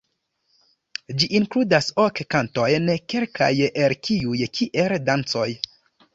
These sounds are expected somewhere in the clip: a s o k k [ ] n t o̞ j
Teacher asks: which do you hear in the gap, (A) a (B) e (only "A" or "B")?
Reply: A